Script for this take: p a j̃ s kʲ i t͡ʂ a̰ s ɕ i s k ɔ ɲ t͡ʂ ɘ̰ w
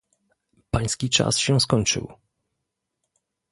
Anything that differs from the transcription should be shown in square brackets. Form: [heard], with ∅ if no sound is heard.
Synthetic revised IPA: p a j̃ s kʲ i t͡ʂ a̰ s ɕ [ɛ] s k ɔ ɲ t͡ʂ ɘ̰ w